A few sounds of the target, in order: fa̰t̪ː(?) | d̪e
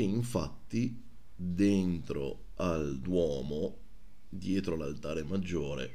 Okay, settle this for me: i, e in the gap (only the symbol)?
i